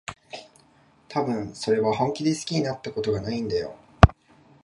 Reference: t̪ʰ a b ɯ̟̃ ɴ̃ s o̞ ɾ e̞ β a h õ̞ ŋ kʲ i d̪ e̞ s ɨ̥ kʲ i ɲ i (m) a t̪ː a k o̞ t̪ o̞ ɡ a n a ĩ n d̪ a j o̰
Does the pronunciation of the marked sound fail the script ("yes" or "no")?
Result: yes